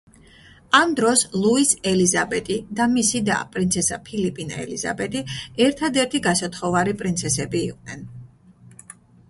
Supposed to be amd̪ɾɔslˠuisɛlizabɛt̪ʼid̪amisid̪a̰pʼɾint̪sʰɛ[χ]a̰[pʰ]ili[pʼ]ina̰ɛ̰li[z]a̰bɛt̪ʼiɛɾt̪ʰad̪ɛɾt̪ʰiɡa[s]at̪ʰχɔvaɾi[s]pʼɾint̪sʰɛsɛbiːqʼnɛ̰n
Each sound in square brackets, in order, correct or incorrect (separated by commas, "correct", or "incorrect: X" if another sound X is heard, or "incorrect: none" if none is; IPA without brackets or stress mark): incorrect: s, correct, correct, correct, correct, incorrect: none